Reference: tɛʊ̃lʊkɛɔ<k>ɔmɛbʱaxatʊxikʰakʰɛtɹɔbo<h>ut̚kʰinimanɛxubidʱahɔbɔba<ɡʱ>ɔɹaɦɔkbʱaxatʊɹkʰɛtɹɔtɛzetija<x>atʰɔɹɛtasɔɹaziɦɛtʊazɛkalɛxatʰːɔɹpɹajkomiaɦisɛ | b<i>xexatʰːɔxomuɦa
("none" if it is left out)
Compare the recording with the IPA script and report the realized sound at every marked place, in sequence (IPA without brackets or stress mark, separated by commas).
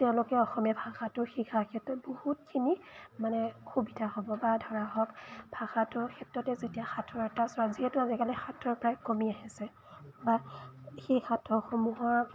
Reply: x, h, dʱ, x, a